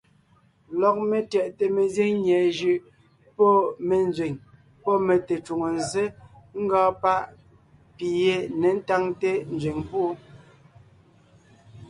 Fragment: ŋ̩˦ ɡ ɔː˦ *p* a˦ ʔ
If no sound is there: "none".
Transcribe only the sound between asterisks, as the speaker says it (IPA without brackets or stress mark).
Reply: p